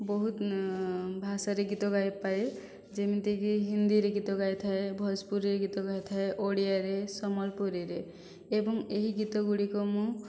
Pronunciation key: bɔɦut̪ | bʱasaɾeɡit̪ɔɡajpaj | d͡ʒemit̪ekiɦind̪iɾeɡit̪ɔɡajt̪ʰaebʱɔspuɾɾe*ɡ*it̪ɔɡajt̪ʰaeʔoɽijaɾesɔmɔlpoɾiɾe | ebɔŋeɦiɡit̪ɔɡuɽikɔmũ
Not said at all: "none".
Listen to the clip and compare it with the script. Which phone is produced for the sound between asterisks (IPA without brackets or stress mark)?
ɡ